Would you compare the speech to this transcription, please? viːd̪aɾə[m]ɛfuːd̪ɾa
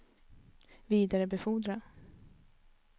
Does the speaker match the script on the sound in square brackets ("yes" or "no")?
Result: no